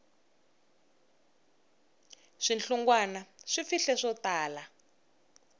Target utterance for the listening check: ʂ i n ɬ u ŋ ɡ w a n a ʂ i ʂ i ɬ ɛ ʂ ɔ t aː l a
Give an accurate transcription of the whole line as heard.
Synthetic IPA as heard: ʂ i n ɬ u ŋ ɡ w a n a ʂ i f i ɬ ɛ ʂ ɔ t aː l a